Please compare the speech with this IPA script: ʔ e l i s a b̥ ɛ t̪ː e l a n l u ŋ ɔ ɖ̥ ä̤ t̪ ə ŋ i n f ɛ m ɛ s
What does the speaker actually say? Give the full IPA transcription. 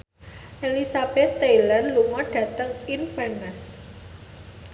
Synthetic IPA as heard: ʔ e l i s a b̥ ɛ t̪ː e l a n l u ŋ ɔ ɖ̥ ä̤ t̪ ə ŋ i n f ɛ n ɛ s